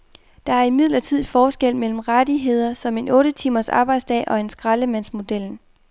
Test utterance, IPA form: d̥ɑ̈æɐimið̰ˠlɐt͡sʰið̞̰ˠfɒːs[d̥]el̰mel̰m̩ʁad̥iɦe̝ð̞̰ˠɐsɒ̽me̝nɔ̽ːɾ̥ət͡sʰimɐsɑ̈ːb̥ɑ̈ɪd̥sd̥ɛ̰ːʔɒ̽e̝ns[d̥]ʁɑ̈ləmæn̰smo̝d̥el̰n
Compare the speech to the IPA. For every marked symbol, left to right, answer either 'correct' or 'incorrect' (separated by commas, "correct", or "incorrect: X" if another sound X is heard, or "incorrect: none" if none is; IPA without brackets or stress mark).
incorrect: ɡ̥, incorrect: ɡ̥